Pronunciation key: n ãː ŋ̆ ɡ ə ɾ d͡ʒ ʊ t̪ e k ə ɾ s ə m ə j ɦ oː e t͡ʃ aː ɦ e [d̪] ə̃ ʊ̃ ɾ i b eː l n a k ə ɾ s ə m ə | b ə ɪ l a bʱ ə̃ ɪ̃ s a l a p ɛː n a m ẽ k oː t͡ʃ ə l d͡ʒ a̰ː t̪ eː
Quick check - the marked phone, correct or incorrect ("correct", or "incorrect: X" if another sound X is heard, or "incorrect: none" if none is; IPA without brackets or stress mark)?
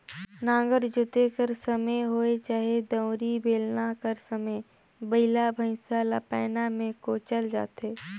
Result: correct